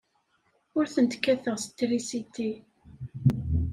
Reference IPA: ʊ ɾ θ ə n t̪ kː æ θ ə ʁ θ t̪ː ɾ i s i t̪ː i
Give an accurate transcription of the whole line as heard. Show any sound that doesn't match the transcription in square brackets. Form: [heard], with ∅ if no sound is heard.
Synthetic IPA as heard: ʊ ɾ θ ə n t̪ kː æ θ ə ʁ [s] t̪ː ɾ i s i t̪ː i